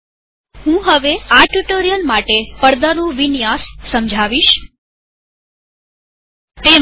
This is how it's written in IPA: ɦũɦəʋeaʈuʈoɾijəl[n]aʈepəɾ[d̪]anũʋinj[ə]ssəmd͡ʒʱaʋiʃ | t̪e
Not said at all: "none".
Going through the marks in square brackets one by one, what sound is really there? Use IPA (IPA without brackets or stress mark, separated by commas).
m, d̪, a